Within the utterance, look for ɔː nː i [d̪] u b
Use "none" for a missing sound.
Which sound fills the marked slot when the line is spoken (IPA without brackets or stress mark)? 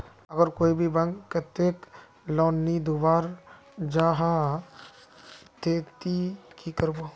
d̪